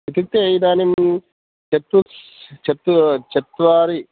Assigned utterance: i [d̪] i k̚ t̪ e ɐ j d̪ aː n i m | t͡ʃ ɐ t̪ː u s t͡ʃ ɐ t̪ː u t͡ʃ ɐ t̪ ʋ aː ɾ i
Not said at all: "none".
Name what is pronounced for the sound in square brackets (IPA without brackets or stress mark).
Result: t̪